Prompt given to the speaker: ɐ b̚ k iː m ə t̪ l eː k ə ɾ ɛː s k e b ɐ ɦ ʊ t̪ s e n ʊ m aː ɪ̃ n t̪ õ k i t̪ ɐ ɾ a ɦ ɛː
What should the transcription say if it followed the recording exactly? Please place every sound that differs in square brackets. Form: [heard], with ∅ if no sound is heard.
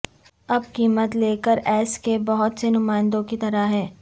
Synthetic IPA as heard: ɐ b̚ k iː m ə t̪ l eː k ə ɾ ɛː s k e b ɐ ɦ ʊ t̪ s e n ʊ m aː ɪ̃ n [d̪] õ k i t̪ ɐ ɾ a ɦ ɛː